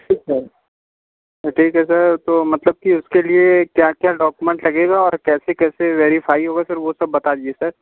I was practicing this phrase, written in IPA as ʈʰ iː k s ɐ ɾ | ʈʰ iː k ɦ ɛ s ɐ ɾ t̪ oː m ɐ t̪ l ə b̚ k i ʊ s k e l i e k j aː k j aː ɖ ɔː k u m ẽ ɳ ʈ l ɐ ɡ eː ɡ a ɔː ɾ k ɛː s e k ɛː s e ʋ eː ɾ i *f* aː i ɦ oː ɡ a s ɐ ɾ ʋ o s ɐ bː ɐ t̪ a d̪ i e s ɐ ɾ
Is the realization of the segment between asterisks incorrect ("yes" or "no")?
no